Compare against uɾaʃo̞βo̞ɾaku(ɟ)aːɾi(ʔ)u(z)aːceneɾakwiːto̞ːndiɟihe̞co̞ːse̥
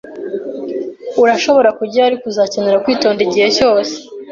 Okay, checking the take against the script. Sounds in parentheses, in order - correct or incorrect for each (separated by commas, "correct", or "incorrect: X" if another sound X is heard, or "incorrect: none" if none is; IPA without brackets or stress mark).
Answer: correct, incorrect: k, correct